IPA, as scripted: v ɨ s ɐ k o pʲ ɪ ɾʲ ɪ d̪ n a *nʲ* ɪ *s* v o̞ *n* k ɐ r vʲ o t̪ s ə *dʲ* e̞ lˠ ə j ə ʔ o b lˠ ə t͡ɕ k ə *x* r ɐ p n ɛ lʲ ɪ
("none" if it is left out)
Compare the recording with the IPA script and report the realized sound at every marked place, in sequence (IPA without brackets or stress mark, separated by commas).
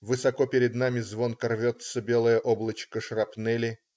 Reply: mʲ, z, n, bʲ, ʂ